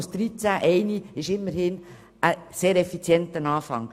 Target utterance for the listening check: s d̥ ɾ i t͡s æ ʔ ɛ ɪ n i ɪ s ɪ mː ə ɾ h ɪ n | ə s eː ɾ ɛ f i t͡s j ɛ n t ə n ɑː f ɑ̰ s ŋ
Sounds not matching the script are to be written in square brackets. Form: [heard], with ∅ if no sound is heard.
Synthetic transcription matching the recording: s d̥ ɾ i t͡s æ ʔ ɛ ɪ n i ɪ [ʃ] ɪ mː ə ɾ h ɪ n | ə s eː ɾ ɛ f i t͡s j ɛ n t ə n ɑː f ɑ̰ [∅] ŋ